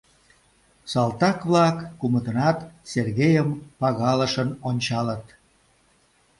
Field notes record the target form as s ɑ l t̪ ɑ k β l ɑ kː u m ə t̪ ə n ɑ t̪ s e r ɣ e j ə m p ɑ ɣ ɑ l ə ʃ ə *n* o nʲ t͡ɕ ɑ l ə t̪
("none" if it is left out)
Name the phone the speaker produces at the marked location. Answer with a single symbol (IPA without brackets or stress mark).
n